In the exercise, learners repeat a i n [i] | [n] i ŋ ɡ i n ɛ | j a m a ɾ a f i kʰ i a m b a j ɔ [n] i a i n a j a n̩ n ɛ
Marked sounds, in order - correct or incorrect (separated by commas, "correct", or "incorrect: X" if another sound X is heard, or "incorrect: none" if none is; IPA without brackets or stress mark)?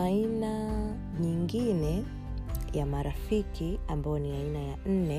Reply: incorrect: a, incorrect: ɲ, correct